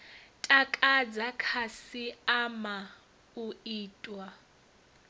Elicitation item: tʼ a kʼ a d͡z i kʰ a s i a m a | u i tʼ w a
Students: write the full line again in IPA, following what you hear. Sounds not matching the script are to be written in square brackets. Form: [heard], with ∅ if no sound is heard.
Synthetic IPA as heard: tʼ a kʼ a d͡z [a] kʰ a s i a m a | u [iː] tʼ w a